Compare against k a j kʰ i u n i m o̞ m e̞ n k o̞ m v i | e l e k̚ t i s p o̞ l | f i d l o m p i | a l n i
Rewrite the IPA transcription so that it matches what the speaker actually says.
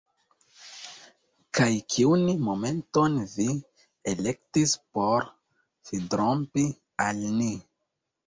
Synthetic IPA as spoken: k a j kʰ i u n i m o̞ m e̞ n t o̞ n v i | e l e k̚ t i s p o̞ ɾ | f i d ɾ o m p i | a l n i